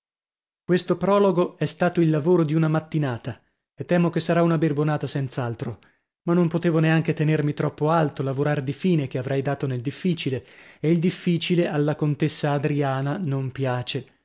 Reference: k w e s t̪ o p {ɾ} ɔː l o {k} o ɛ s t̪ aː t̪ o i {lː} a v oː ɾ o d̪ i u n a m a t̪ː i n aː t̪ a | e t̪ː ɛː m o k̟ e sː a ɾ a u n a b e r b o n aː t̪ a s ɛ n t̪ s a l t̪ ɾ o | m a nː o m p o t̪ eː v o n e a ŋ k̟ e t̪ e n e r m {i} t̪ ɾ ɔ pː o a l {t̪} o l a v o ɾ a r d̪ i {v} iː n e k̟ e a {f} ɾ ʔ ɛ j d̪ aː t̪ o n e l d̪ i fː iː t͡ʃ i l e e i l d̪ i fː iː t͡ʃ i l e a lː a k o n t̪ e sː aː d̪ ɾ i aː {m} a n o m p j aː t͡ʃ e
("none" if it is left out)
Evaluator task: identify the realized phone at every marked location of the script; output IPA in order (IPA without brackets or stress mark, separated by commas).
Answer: ɾ, ɡ, lː, i, t̪, f, v, n